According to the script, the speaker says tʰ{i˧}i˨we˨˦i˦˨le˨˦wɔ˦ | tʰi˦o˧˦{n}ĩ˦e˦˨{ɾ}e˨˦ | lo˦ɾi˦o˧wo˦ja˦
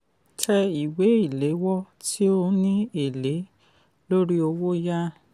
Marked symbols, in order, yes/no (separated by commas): no, yes, no